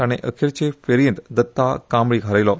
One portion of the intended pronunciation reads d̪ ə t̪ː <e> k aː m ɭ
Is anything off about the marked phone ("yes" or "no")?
yes